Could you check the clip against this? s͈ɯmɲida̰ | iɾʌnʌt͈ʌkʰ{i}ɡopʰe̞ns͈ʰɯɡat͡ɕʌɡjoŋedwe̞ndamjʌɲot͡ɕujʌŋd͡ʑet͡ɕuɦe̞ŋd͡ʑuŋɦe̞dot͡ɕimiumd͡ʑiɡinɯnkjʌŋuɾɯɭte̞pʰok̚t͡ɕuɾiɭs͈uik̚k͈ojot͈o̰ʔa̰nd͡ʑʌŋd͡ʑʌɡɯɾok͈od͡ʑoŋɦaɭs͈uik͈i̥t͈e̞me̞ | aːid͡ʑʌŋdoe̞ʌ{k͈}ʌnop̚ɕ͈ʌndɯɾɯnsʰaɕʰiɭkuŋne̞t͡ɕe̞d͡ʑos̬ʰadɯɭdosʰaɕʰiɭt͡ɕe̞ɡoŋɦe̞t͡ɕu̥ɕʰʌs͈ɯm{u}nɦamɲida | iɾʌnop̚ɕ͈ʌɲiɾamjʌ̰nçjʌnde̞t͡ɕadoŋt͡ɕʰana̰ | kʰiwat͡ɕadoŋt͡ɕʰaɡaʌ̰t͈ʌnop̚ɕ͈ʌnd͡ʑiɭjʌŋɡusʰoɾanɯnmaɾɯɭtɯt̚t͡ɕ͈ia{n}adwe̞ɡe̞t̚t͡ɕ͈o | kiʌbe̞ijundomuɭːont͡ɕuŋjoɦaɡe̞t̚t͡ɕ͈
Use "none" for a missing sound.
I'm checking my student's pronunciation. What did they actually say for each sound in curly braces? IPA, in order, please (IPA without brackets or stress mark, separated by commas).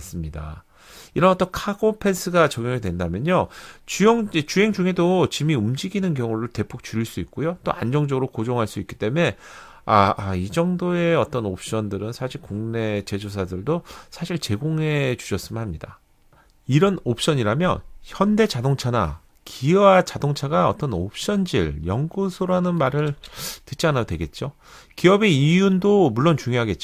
a, t͈, ɯ, n